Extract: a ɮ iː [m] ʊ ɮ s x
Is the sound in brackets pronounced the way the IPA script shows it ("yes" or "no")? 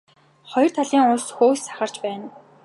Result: no